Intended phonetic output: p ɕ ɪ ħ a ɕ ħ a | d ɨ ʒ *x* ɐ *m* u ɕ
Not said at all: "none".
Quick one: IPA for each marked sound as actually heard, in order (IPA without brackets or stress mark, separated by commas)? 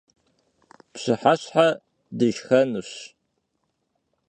x, n